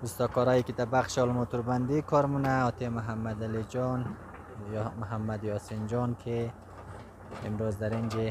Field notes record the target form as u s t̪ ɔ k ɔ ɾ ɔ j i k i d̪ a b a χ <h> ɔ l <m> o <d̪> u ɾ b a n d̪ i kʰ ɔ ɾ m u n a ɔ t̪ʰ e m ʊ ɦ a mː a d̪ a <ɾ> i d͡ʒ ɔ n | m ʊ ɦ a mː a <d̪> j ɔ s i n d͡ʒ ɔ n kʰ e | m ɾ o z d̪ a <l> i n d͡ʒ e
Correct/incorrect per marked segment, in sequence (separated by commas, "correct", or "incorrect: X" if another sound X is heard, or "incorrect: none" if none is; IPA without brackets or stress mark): incorrect: ʃ, correct, incorrect: t̪, incorrect: l, correct, incorrect: ɾ